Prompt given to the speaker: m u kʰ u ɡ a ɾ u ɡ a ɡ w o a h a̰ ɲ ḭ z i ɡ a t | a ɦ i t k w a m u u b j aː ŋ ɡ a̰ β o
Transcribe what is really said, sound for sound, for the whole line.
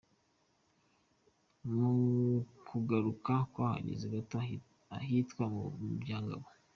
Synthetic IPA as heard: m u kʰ u ɡ a ɾ u k a k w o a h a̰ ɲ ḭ z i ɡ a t | a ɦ i t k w a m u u b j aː ŋ ɡ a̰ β o